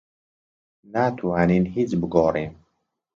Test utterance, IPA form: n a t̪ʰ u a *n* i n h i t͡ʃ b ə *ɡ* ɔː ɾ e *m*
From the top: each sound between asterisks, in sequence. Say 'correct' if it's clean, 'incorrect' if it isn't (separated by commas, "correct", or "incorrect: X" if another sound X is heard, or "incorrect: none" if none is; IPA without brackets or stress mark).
correct, correct, correct